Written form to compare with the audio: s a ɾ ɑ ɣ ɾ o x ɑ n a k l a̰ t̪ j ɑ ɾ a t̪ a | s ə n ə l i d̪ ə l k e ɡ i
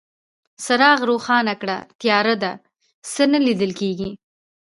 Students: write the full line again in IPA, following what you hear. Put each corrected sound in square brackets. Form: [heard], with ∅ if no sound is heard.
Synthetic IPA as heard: s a ɾ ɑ ɣ ɾ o x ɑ n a k [ɽ] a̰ t̪ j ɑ ɾ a [d̪] a | s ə n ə l i d̪ ə l k e ɡ i